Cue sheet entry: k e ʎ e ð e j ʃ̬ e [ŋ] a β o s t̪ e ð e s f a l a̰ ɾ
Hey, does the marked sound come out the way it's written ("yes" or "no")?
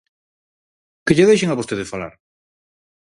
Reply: yes